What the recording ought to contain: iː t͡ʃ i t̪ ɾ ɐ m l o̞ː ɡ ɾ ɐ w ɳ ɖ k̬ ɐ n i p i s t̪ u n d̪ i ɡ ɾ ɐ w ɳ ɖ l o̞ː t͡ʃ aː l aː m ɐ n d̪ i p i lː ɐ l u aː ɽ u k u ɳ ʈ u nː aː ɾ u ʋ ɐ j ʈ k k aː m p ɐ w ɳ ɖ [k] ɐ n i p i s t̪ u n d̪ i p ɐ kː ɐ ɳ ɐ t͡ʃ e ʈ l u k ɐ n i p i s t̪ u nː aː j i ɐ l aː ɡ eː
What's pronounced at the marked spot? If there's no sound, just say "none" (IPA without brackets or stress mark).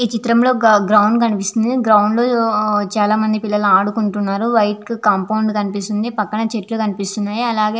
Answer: k